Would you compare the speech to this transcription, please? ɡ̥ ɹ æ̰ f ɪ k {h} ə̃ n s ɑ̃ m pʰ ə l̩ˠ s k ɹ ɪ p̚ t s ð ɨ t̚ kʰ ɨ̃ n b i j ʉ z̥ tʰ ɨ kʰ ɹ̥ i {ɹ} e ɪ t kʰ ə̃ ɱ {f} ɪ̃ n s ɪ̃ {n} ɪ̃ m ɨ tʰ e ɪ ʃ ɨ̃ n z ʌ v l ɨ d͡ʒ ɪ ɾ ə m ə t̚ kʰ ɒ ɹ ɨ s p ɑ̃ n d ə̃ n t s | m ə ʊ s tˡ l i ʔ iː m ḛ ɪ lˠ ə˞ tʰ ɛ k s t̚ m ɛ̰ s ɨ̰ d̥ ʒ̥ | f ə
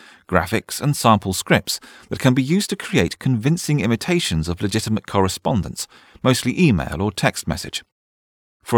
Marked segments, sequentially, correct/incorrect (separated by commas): incorrect, incorrect, incorrect, incorrect